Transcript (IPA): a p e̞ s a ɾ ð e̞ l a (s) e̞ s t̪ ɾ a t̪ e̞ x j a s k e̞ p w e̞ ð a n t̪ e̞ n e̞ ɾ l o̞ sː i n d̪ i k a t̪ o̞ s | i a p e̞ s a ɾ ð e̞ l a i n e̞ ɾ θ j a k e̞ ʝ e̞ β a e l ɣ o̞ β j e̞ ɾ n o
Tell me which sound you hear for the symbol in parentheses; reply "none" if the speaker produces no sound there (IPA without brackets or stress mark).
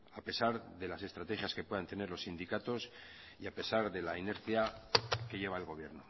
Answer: s